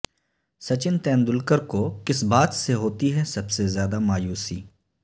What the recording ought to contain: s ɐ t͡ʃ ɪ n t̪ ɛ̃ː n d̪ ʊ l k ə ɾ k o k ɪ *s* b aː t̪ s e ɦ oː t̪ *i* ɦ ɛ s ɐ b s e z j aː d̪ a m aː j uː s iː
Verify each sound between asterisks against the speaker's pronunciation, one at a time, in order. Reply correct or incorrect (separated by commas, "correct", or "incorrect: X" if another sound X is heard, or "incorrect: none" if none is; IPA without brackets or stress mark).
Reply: correct, correct